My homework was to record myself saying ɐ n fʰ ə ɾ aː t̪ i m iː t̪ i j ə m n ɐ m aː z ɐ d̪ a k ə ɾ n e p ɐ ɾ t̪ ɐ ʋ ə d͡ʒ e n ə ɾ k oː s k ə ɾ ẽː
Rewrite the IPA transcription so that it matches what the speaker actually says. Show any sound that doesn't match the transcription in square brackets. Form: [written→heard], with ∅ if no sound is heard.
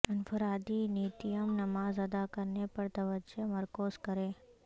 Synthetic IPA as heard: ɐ n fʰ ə ɾ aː [t̪→d̪] i [m→n] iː t̪ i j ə m n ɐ m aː z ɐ d̪ a k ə ɾ n e p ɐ ɾ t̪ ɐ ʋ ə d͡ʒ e [n→m] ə ɾ k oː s k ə ɾ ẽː